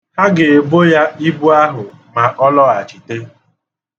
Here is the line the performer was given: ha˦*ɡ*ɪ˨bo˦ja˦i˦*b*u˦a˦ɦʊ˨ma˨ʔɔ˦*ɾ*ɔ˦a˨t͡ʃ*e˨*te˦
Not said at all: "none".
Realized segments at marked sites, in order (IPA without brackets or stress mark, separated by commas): ɡ, b, l, i˨